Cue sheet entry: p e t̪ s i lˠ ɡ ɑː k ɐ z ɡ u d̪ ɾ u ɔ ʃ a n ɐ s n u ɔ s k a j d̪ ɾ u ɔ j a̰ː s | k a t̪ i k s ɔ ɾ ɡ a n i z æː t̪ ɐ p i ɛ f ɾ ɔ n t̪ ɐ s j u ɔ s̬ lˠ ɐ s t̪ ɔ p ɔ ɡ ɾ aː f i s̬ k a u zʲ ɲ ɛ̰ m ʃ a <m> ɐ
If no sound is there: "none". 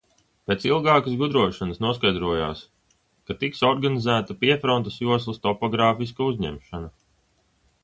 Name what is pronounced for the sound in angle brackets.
n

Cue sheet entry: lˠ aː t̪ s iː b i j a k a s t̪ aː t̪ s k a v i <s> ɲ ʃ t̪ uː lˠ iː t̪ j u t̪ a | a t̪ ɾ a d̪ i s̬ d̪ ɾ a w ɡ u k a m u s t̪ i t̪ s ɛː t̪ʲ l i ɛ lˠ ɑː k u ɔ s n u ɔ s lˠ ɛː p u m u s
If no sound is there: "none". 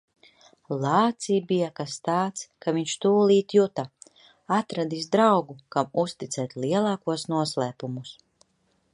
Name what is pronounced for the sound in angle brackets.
none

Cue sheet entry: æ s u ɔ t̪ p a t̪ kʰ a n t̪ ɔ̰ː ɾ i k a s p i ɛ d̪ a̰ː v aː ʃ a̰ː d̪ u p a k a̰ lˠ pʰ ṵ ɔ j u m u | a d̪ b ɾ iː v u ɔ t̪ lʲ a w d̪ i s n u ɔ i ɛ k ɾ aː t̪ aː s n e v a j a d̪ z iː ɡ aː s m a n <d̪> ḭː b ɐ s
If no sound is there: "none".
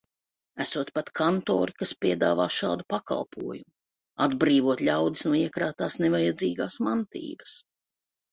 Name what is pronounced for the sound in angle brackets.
t̪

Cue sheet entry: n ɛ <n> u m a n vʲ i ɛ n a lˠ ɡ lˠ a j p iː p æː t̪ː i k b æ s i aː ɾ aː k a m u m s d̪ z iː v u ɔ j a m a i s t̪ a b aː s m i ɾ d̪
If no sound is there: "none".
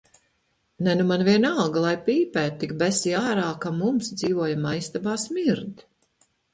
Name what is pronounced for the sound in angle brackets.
n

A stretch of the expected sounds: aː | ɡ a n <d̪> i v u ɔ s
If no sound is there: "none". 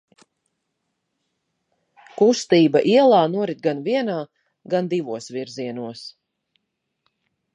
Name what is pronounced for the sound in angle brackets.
d̪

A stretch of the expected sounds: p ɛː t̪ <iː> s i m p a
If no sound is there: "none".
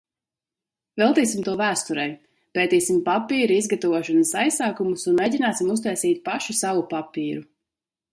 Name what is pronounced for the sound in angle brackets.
iː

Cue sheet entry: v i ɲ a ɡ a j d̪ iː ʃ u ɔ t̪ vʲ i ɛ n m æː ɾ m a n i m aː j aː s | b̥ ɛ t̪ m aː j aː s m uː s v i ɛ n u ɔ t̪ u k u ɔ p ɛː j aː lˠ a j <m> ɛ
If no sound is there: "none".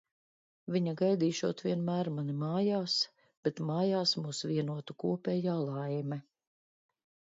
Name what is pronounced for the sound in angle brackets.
m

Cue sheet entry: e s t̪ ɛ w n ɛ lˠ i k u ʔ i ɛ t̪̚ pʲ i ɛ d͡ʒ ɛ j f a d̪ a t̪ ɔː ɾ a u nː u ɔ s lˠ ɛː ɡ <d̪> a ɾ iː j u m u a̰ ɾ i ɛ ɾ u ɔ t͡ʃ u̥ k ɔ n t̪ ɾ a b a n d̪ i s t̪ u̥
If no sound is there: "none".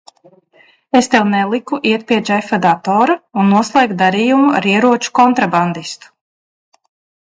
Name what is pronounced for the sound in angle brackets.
d̪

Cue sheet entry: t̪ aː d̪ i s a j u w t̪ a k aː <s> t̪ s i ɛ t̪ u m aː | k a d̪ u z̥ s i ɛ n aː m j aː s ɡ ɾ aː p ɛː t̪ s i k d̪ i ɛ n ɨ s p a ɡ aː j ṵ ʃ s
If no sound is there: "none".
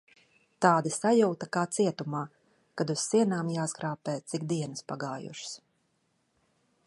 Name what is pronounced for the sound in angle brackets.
none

